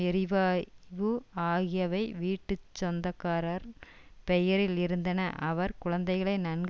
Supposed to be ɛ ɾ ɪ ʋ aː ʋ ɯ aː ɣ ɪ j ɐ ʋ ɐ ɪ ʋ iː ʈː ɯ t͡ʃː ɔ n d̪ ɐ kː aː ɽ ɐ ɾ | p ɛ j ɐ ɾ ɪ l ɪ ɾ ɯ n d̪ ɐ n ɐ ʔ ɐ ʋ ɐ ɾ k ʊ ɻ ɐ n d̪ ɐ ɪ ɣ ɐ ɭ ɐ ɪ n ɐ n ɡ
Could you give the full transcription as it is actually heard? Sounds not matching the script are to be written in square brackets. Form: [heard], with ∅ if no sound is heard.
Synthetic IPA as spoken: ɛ ɾ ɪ ʋ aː ʋ ɯ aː ɣ ɪ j ɐ ʋ ɐ ɪ ʋ iː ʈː ɯ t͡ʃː ɔ n d̪ ɐ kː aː [ɾ] ɐ ɾ | p ɛ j ɐ ɾ ɪ l ɪ ɾ ɯ n d̪ ɐ n ɐ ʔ ɐ ʋ ɐ ɾ k ʊ ɻ ɐ n d̪ ɐ ɪ ɣ ɐ ɭ ɐ ɪ n ɐ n ɡ